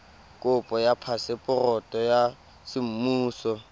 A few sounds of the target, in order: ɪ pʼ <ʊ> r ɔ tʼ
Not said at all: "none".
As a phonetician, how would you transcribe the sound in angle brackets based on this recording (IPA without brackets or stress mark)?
ʊ